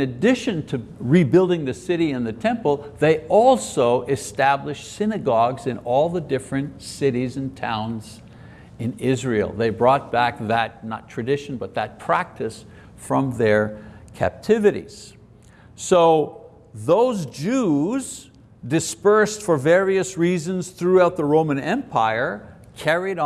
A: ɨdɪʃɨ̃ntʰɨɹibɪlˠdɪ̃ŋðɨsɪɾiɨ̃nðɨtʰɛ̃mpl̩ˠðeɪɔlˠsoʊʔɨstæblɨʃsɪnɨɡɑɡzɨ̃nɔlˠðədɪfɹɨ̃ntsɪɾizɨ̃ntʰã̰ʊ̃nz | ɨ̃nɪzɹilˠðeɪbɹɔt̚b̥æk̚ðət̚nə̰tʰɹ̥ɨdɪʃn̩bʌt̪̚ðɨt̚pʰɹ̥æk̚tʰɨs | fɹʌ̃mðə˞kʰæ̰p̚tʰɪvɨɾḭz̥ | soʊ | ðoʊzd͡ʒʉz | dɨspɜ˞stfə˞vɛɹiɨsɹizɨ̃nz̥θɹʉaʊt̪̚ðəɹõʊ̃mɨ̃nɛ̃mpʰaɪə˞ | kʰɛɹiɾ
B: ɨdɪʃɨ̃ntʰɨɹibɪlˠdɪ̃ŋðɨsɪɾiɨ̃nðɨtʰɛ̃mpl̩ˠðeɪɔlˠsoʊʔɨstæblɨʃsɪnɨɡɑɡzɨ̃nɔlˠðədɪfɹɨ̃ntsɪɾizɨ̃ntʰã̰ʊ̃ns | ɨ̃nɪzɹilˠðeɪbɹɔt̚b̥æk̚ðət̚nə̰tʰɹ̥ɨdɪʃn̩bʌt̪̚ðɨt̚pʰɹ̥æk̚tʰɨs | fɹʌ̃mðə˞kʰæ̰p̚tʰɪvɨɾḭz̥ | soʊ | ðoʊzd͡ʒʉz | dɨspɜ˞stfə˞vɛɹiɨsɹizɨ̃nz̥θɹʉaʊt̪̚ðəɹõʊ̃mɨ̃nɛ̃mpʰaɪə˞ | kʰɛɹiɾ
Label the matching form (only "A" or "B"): A